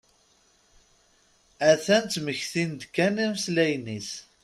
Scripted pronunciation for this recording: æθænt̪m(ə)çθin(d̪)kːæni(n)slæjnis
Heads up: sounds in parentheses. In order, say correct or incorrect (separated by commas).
correct, correct, incorrect